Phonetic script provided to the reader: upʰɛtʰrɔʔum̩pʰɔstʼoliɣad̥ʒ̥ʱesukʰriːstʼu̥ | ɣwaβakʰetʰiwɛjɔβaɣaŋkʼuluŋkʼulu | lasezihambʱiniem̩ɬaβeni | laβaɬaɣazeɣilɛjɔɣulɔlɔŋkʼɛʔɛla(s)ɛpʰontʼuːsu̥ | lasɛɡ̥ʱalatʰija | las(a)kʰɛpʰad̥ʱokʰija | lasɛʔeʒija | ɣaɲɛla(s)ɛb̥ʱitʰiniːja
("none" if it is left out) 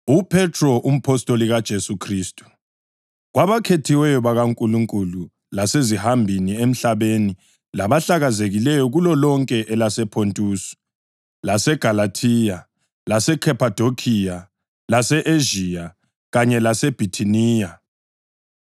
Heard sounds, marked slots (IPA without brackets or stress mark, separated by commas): s, ɛ, s